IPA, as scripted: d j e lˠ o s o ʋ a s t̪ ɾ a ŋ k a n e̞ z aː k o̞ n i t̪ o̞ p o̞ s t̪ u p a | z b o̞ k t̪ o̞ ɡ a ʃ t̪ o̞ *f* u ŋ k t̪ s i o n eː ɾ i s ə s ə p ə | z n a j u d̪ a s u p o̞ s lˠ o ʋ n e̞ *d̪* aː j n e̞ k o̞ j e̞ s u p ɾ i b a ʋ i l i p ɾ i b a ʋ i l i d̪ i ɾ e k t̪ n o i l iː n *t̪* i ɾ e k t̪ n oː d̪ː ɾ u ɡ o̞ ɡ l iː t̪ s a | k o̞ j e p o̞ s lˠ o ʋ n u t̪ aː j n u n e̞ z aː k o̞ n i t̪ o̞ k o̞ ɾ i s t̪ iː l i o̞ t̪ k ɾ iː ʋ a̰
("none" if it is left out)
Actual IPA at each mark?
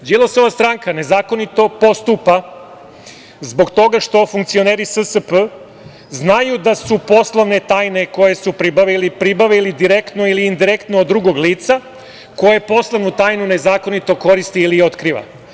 f, t̪, d̪

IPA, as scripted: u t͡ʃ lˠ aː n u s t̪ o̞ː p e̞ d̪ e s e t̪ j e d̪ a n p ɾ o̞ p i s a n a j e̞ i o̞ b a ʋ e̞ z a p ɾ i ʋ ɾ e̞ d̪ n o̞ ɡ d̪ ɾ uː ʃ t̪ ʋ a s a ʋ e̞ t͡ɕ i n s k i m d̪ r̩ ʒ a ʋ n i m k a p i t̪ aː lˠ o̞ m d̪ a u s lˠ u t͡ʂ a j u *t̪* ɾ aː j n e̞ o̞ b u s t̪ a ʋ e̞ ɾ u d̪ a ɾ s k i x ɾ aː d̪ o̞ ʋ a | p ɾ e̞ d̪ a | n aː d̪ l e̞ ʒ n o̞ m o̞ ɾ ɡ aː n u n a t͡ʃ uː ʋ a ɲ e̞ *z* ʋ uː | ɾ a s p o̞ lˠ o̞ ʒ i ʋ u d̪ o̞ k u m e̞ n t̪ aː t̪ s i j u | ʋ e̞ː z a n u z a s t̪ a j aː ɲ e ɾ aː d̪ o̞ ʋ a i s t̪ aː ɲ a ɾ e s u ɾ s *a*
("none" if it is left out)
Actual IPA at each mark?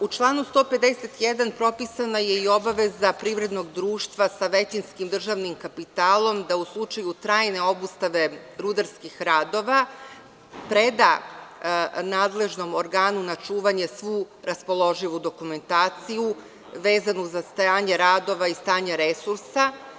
t̪, s, a

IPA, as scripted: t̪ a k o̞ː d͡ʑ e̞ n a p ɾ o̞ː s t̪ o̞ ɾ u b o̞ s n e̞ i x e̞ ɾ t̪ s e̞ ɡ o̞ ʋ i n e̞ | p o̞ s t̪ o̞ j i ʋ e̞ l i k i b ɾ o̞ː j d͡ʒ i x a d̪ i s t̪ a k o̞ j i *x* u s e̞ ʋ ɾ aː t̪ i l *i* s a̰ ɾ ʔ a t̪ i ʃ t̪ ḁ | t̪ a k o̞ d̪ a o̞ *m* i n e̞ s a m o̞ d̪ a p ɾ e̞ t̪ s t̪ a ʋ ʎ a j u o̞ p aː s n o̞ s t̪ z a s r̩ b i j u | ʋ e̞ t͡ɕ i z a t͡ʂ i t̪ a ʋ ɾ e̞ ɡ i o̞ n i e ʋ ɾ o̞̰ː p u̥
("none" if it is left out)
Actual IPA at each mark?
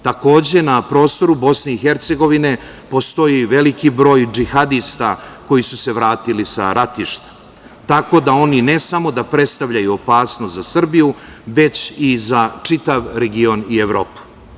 s, i, n

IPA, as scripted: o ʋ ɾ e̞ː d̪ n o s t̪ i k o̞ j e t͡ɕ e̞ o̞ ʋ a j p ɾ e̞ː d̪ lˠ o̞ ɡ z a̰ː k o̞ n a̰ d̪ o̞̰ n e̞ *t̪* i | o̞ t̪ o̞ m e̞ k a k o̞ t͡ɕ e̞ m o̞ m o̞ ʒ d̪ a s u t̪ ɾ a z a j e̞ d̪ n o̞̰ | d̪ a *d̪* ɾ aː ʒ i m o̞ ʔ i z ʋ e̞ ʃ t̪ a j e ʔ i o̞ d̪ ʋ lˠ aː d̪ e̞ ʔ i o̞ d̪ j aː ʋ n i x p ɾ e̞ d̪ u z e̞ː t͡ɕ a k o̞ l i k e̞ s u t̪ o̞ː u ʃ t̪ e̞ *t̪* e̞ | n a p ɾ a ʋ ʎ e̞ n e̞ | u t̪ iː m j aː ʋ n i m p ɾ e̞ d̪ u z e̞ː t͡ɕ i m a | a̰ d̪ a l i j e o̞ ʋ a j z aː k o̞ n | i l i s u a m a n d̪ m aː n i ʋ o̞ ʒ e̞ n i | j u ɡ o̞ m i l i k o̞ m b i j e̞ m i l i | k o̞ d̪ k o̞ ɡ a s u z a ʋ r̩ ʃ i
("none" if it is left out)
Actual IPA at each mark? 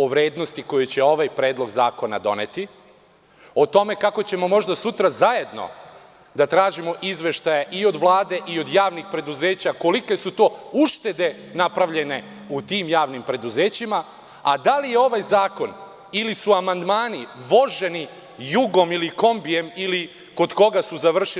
t̪, t̪, d̪

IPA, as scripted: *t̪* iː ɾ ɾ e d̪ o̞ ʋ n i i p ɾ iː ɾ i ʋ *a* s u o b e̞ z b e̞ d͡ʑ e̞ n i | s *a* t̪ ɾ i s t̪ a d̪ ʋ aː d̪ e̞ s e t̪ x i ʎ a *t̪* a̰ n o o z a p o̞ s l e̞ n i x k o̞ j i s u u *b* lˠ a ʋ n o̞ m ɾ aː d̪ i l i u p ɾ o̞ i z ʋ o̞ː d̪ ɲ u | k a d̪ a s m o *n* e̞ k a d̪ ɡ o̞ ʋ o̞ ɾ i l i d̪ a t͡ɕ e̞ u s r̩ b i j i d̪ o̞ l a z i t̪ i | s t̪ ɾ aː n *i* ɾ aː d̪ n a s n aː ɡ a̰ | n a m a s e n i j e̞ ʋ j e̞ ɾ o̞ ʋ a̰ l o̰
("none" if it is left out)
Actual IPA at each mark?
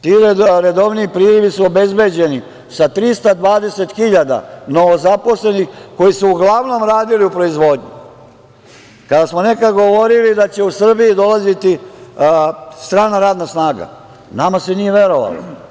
t̪, i, a, d̪, ɡ, n, a

